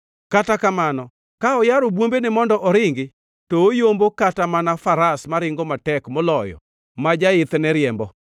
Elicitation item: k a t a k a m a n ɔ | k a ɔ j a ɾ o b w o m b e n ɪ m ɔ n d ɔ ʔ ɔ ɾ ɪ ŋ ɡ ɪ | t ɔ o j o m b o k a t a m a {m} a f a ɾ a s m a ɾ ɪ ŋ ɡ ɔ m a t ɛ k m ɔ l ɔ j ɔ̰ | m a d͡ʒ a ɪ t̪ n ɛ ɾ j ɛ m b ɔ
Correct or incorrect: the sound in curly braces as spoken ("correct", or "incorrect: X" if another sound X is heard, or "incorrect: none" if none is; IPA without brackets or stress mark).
incorrect: n